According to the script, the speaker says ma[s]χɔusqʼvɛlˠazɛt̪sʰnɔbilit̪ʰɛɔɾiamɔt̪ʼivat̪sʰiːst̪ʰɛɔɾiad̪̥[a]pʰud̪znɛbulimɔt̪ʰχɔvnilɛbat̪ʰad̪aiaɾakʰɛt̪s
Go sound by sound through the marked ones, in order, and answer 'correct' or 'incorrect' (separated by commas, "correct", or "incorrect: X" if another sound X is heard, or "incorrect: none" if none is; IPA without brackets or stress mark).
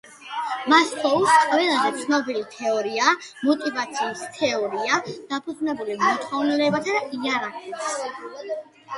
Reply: correct, correct